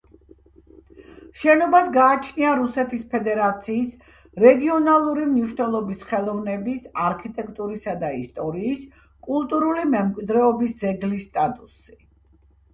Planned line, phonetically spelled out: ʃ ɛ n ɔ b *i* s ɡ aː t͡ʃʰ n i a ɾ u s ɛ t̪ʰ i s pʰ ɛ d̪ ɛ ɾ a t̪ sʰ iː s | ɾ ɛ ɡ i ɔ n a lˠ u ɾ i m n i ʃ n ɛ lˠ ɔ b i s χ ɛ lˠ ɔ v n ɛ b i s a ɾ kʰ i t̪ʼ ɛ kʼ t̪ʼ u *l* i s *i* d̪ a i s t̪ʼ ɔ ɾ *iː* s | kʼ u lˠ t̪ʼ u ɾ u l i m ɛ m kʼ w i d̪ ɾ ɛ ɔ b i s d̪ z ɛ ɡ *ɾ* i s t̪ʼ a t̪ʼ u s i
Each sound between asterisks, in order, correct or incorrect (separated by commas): incorrect, incorrect, incorrect, correct, incorrect